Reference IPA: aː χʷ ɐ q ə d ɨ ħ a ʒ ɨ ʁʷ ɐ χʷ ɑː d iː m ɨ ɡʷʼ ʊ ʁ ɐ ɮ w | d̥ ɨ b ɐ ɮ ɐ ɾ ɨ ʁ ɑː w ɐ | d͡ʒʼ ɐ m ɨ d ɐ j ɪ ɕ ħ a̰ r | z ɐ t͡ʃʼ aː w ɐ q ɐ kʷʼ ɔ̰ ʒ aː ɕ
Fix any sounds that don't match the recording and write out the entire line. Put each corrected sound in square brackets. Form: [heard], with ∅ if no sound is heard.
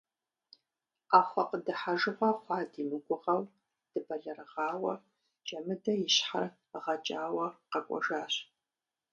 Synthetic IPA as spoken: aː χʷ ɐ q ə d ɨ ħ a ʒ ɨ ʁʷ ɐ χʷ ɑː d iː m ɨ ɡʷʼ ʊ ʁ ɐ [∅] w | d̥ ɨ b ɐ ɮ ɐ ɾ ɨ ʁ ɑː w ɐ | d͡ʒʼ ɐ m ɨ d ɐ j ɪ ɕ ħ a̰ r | [ʁ] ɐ t͡ʃʼ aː w ɐ q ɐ kʷʼ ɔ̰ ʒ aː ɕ